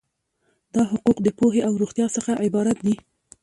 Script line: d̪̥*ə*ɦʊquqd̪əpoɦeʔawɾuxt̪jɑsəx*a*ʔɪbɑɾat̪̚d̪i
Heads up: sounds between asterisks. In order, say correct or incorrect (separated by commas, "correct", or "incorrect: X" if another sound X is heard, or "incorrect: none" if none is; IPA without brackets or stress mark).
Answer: incorrect: ɑ, correct